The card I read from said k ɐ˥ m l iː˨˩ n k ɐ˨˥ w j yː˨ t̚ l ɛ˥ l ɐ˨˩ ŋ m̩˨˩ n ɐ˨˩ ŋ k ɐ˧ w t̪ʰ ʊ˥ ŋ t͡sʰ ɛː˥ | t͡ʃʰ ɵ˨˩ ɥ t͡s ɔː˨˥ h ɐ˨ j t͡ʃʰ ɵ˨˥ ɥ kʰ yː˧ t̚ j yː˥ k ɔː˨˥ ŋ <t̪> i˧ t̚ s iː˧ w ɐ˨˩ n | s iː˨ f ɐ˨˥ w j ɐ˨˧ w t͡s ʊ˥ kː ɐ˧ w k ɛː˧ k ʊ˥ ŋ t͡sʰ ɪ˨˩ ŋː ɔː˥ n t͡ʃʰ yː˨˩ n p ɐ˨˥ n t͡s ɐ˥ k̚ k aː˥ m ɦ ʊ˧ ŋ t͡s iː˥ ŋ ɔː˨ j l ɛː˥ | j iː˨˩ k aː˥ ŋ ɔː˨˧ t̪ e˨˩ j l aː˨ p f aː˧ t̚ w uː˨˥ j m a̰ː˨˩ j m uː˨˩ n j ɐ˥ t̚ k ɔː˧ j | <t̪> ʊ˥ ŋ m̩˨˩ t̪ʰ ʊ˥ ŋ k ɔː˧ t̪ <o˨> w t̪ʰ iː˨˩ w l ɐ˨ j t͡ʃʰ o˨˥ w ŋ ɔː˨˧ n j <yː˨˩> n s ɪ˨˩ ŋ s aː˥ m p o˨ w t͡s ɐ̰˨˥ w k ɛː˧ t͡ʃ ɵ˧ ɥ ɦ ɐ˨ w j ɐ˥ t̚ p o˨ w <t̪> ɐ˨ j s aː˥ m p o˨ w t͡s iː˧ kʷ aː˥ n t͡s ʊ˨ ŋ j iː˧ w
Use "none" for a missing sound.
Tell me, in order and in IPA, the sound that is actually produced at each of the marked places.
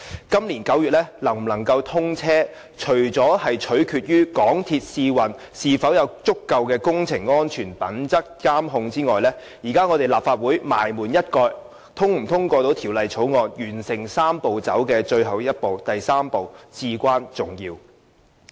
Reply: t̪ʰ, t̪ʰ, o˨˥, yː˨˩, t̪

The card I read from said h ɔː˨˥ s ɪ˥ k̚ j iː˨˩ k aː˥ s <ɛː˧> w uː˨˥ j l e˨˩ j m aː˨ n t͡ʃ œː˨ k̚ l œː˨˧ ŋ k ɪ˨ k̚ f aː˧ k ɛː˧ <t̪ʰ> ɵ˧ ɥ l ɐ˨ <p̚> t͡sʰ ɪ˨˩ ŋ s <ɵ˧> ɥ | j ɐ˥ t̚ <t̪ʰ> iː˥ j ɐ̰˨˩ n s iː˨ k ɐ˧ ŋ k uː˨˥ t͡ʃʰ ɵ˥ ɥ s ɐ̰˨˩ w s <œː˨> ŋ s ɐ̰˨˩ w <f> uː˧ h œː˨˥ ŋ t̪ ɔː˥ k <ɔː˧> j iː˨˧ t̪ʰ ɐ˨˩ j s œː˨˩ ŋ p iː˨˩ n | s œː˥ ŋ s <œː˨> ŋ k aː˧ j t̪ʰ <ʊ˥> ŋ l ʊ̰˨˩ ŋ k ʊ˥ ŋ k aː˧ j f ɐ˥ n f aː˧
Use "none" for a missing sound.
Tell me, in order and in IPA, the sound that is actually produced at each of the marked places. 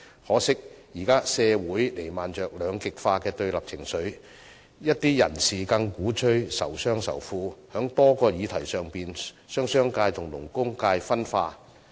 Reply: ɛː˧, t̪, p̚, ɵ˨˥, t̪, œː˥, f, ɔː˧, œː˥, ʊ˨˩

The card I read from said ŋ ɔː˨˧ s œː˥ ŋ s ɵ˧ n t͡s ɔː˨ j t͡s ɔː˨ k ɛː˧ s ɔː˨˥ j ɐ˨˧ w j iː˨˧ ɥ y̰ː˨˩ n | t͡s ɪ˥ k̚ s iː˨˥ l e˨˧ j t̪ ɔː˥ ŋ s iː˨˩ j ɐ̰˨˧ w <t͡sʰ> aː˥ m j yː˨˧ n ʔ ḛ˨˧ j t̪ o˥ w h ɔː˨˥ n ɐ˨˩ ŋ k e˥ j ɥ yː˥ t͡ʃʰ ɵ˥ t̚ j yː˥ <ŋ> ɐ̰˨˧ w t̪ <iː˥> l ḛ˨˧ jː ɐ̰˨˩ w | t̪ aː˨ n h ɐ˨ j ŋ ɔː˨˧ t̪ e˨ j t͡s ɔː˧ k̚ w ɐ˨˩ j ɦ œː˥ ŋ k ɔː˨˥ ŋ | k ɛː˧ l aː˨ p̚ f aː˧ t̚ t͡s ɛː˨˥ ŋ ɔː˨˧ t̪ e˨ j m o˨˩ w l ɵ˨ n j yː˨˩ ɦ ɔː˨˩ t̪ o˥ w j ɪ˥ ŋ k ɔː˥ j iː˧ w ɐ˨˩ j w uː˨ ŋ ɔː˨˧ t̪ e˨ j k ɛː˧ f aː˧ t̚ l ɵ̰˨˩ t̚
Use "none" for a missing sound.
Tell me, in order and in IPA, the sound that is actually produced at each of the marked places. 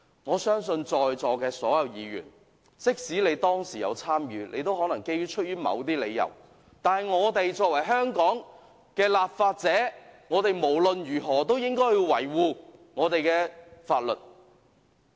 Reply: t͡sʰ, m, iː˥

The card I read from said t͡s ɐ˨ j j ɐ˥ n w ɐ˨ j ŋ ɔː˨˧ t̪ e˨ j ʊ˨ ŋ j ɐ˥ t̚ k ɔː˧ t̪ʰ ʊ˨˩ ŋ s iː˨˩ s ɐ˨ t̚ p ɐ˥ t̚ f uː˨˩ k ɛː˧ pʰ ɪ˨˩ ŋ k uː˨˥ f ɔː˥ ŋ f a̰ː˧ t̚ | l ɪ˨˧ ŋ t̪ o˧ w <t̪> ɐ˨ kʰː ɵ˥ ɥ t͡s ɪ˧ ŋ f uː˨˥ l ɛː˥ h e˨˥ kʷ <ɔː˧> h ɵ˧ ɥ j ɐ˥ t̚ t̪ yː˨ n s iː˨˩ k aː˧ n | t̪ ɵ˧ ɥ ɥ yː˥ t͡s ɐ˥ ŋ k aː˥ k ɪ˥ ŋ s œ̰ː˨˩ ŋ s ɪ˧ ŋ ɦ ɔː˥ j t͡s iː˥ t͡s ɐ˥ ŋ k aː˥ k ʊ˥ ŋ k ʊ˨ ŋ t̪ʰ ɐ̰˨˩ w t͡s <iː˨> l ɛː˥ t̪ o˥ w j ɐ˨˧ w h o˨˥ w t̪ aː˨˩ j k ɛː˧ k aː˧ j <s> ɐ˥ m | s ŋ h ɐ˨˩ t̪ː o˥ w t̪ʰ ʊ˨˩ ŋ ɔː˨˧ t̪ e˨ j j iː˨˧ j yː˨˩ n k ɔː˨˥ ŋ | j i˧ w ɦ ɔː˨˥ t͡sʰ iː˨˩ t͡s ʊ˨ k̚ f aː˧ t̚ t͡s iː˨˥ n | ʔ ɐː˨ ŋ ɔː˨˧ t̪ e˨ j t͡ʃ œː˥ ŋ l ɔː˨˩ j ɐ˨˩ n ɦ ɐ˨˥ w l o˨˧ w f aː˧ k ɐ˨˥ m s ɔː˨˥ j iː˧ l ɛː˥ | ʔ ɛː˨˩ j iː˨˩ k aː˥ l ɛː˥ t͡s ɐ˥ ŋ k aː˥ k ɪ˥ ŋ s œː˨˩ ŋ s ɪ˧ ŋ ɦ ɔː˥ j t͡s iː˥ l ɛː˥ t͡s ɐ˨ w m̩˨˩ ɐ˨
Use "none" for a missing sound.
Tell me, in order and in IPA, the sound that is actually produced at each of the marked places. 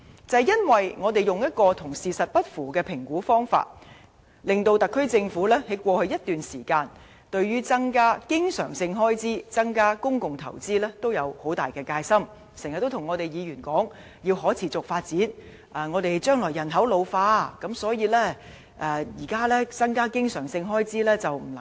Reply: t̪, ɔː˧, iː˥, s

